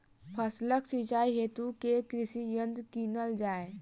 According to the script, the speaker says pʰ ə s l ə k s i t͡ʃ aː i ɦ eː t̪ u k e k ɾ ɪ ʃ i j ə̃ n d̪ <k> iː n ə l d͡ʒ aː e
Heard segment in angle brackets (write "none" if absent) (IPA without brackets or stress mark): k